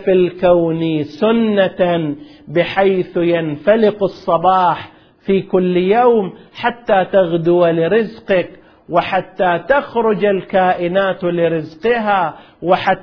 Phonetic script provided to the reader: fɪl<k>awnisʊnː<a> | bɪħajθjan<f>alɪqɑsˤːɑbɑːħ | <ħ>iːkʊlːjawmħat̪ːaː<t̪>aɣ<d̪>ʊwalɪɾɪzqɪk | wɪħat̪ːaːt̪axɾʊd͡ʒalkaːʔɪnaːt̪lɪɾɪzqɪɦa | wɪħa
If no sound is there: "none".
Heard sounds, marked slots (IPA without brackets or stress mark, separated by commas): k, a, f, f, t̪, d̪